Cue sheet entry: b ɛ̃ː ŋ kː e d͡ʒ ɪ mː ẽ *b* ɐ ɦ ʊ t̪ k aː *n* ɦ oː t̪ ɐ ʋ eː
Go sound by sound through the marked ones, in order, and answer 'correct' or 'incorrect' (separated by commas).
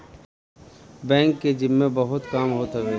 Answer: correct, incorrect